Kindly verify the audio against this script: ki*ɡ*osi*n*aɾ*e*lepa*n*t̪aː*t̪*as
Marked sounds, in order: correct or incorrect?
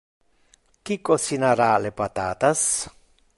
incorrect, correct, incorrect, incorrect, correct

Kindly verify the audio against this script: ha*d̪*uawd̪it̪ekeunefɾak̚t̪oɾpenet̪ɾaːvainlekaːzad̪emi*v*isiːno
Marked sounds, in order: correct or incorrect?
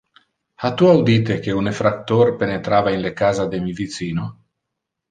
incorrect, correct

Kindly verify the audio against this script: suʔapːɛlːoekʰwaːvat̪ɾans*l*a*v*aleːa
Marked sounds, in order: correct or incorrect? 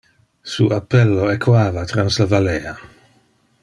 correct, correct

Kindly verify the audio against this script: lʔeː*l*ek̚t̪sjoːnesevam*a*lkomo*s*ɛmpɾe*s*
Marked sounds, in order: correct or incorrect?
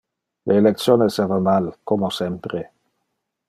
correct, correct, correct, incorrect

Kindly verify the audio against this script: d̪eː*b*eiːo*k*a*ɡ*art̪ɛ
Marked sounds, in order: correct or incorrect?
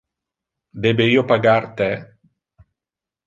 correct, incorrect, correct

